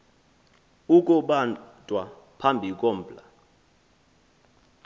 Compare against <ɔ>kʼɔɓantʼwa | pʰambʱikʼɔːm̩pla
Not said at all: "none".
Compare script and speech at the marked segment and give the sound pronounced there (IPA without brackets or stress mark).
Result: u